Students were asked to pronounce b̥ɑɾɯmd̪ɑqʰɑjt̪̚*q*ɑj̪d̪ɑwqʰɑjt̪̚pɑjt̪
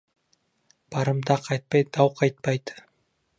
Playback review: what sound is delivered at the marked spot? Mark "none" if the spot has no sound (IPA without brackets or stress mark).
p